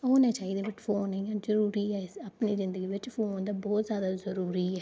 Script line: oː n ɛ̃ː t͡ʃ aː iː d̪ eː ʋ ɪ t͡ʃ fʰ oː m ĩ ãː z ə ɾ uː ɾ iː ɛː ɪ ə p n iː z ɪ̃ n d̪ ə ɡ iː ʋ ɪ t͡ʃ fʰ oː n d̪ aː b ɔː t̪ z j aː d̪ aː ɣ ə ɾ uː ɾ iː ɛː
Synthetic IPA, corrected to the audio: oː n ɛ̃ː t͡ʃ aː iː d̪ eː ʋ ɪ t͡ʃ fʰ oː n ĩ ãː z ə ɾ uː ɾ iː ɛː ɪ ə p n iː z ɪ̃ n d̪ ə ɡ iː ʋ ɪ t͡ʃ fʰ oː n d̪ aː b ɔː t̪ z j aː d̪ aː z ə ɾ uː ɾ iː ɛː